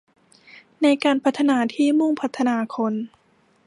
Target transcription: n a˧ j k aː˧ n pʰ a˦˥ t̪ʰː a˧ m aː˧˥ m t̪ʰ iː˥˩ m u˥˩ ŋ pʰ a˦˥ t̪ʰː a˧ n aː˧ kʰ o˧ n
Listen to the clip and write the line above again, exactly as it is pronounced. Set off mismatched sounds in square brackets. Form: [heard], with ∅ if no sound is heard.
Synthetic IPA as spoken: n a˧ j k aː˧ n pʰ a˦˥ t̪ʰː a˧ [n] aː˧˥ [∅] t̪ʰ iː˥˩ m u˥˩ ŋ pʰ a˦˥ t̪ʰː a˧ n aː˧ kʰ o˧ n